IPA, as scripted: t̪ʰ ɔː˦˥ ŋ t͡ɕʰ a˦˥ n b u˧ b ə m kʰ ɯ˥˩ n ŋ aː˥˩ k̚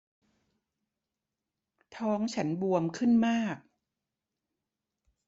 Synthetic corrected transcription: t̪ʰ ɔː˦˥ ŋ t͡ɕʰ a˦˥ n b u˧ ə m kʰ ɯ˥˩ n m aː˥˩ k̚